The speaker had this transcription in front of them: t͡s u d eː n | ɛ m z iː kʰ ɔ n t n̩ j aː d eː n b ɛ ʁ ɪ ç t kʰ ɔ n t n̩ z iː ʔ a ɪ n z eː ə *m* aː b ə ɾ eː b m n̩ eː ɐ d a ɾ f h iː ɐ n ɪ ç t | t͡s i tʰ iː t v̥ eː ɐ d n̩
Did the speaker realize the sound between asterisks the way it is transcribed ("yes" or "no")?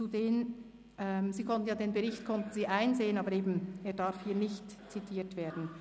no